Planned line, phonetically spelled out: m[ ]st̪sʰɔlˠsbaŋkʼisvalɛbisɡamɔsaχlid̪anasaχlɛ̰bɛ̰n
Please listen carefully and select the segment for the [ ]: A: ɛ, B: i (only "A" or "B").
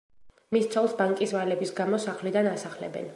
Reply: B